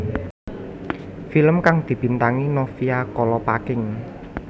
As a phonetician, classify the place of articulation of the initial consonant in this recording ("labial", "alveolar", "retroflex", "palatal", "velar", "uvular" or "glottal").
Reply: labial